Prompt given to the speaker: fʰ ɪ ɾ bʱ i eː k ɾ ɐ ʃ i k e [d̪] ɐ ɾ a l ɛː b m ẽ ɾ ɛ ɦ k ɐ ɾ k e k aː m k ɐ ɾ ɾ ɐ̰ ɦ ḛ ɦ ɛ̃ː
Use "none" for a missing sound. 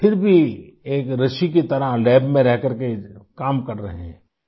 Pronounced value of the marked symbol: t̪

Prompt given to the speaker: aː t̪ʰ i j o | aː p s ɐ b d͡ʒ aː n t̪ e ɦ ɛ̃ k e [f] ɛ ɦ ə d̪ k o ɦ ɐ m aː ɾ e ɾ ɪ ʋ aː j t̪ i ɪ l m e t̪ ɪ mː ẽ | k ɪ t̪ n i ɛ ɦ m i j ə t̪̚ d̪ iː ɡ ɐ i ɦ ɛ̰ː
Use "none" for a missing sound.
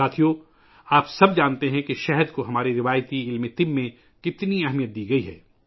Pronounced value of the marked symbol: ʃ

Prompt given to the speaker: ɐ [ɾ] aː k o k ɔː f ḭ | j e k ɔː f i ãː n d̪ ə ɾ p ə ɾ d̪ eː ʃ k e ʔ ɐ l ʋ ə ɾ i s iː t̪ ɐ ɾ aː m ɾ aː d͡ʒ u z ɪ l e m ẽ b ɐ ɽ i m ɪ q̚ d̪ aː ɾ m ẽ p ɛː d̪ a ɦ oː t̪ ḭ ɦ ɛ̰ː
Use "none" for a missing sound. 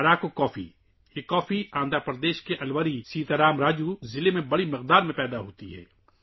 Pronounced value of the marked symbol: ɾ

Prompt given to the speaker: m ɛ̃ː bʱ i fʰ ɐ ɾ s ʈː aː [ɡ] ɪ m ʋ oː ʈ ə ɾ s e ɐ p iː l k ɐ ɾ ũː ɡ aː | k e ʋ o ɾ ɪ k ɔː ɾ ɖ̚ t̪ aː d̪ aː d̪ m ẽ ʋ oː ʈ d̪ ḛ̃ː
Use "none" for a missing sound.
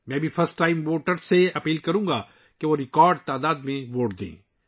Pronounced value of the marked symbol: none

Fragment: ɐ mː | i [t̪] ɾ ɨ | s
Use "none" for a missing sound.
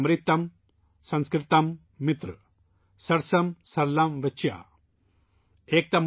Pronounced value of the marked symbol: t̪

